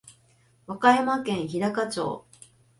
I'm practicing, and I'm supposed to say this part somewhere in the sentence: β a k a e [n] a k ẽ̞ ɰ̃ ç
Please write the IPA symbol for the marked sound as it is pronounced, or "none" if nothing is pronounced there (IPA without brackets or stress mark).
m